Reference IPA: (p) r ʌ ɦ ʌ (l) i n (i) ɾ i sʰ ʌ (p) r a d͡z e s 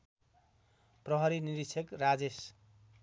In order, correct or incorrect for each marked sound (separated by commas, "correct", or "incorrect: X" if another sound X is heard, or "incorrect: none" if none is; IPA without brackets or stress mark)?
correct, incorrect: ɾ, correct, incorrect: k